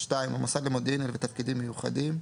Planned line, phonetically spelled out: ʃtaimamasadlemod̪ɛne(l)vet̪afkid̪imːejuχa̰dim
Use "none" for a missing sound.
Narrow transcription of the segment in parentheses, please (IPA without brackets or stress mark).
l